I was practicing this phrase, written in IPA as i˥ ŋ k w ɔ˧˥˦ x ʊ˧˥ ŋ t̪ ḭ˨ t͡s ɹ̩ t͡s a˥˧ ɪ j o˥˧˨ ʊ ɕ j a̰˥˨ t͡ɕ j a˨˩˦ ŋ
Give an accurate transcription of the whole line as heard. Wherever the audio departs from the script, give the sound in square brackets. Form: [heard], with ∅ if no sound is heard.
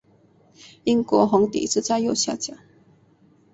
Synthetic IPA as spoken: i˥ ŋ k w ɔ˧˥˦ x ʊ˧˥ ŋ t̪ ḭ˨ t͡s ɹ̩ t͡s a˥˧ ɪ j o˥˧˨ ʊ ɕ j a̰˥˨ t͡ɕ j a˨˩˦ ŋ